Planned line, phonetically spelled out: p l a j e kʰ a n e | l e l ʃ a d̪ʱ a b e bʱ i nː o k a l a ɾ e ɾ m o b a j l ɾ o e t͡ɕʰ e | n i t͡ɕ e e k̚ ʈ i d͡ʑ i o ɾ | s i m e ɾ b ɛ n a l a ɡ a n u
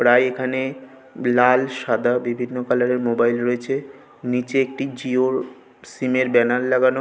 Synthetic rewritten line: p ɾ a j e kʰ a n e | l a l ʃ a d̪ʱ a b i bʱ i nː o k a l a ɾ e ɾ m o b a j l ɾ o e t͡ɕʰ e | n i t͡ɕ e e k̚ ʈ i d͡ʑ i o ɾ | s i m e ɾ b ɛ n a lː a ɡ a n o